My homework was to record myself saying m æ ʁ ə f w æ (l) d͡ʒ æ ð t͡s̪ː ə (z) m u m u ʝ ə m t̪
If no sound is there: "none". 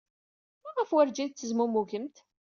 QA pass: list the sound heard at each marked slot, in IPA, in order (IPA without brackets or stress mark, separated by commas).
ɾ, z